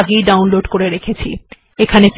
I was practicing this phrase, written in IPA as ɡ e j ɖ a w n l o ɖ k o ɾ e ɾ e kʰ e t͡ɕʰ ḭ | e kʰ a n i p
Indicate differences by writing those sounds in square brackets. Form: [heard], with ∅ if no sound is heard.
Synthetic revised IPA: ɡ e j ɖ a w n l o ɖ k o ɾ e ɾ e kʰ e t͡ɕʰ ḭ | e kʰ a n [e] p